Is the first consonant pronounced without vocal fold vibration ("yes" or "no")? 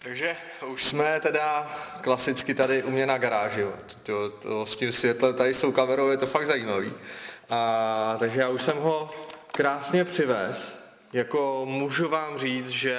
yes